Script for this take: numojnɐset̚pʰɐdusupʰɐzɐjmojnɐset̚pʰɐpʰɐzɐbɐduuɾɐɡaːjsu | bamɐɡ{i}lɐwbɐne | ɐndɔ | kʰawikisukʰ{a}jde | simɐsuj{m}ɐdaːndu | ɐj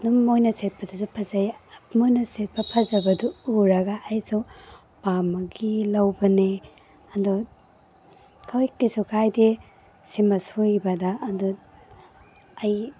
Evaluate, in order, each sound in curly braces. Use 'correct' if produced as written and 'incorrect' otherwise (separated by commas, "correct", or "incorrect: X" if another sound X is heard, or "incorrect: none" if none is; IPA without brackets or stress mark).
correct, correct, incorrect: b